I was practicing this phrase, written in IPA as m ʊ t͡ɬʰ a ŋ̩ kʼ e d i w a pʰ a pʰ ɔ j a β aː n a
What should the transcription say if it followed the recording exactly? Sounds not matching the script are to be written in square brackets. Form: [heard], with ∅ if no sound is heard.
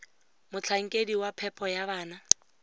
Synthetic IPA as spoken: m ʊ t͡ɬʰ a ŋ̩ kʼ e d i w a pʰ [ɛ] pʰ ɔ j a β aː n a